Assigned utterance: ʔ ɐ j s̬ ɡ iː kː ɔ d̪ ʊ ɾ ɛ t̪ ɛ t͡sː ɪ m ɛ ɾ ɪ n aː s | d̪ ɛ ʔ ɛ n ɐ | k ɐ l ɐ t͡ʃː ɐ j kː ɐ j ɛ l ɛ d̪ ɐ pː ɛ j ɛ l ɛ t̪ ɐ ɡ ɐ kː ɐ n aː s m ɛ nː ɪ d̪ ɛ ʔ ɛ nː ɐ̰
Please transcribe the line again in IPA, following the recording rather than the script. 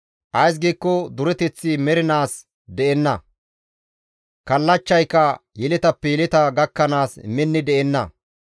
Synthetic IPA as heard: ʔ ɐ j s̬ ɡ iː kː ɔ d̪ ʊ ɾ ɛ t̪ ɛ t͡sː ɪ m ɛ ɾ ɪ n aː s | d̪ ɛ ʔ ɛ nː ɐ | k ɐ lː ɐ t͡ʃː ɐ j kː ɐ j ɛ l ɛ t̪ ɐ pː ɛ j ɛ l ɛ t̪ ɐ ɡ ɐ kː ɐ n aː s m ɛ nː ɪ d̪ ɛ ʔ ɛ nː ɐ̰